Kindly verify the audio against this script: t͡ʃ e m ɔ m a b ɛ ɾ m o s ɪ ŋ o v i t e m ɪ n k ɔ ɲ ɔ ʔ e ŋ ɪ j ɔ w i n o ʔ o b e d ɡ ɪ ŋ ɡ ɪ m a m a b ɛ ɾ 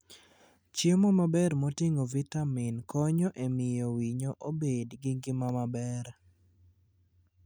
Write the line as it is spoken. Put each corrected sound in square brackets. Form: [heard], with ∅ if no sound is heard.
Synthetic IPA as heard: t͡ʃ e m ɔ m a b ɛ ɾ m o [t] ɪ ŋ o v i t [a] m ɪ n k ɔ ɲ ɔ ʔ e [m] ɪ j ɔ w i [ɲ] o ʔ o b e d ɡ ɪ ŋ ɡ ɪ m a m a b ɛ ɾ